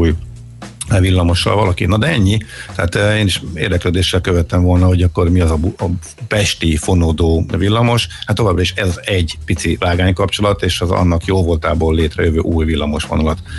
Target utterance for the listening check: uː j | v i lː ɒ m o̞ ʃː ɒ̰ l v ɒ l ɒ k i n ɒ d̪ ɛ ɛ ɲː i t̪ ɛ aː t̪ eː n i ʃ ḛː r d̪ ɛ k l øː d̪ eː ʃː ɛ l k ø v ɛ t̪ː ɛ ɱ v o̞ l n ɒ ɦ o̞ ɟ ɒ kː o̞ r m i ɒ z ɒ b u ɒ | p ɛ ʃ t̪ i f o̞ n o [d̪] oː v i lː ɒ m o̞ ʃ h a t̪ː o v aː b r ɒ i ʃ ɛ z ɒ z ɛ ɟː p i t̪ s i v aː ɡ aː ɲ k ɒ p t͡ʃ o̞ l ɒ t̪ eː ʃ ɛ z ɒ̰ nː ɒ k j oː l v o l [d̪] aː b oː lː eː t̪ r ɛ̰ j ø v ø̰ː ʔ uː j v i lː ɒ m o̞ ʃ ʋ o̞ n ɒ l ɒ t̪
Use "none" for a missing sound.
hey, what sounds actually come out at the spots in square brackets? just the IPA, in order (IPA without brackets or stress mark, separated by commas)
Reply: d̪, t̪